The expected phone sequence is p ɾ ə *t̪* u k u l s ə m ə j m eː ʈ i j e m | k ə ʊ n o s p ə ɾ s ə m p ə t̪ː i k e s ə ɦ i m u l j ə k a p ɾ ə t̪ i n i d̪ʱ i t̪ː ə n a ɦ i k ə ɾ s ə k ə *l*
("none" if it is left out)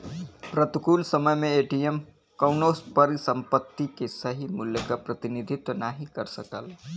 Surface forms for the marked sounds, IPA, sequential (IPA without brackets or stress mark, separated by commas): t̪, l